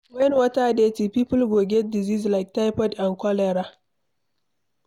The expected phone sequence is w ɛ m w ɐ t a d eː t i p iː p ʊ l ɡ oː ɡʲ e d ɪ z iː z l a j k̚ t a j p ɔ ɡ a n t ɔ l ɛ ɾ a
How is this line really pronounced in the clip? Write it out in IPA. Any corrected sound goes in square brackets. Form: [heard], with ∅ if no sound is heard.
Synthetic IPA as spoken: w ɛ [n] w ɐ t a d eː t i p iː p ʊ l ɡ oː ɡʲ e d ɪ z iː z l a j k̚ t a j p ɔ [d] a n [k] ɔ l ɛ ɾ a